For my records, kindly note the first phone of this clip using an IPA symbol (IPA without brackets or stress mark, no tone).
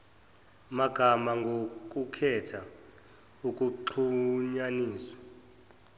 m